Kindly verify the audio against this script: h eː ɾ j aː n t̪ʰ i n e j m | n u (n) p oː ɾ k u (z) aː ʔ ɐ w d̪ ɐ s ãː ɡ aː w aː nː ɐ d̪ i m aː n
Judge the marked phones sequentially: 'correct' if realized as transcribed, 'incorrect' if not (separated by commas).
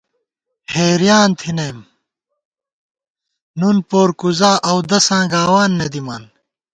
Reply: correct, correct